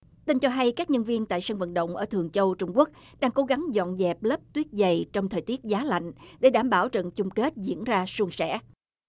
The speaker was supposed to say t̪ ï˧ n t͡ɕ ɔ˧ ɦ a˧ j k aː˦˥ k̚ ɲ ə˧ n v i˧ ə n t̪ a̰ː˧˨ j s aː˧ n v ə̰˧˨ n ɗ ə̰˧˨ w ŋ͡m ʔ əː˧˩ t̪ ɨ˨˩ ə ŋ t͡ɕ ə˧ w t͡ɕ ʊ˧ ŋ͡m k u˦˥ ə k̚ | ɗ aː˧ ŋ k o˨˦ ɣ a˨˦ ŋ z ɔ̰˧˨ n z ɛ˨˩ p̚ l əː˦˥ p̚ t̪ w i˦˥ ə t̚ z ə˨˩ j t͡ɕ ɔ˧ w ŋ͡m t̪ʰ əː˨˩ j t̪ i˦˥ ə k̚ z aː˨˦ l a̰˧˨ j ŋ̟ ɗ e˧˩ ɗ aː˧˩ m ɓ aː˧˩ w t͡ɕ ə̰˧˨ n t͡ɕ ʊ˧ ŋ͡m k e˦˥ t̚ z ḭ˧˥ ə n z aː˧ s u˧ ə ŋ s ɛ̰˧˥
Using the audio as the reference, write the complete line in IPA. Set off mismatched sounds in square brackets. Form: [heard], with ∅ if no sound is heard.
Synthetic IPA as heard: t̪ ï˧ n t͡ɕ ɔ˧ ɦ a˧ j k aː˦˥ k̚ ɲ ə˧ n v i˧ ə n t̪ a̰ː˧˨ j s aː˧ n v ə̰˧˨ n ɗ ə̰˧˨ w ŋ͡m ʔ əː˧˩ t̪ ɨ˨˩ ə ŋ t͡ɕ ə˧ w t͡ɕ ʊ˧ ŋ͡m k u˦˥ ə k̚ | ɗ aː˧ ŋ k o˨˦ ɣ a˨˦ ŋ z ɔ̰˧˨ n z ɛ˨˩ p̚ l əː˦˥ p̚ t̪ w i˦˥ ə t̚ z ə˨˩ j t͡ɕ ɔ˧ w ŋ͡m t̪ʰ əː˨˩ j t̪ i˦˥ ə [t̚] z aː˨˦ l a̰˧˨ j ŋ̟ ɗ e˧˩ ɗ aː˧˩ m ɓ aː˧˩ w t͡ɕ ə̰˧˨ n t͡ɕ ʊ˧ ŋ͡m k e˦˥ t̚ z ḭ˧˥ ə n z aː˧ s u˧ ə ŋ s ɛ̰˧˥